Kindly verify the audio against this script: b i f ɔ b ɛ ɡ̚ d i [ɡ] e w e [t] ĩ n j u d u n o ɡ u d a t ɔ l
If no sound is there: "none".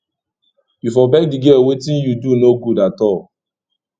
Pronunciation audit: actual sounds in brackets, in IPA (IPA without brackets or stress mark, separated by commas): ɡ, t